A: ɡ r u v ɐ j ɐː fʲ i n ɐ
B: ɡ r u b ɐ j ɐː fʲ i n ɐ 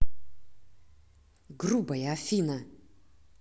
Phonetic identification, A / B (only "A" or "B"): B